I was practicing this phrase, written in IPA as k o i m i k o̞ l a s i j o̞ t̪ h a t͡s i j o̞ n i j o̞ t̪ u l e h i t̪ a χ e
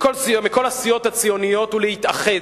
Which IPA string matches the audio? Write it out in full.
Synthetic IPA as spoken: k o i m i k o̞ l a s i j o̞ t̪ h a t͡s i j o̞ n i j o̞ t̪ u l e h i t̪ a χ e